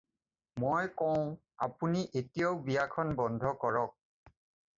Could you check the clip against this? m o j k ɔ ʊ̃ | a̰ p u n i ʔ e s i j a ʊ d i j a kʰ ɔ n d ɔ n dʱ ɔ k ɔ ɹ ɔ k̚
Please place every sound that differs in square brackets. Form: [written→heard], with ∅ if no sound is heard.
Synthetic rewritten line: m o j k ɔ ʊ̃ | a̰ p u n i ʔ e [s→t] i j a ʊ [d→b] i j a kʰ ɔ n [d→b] ɔ n dʱ ɔ k ɔ ɹ ɔ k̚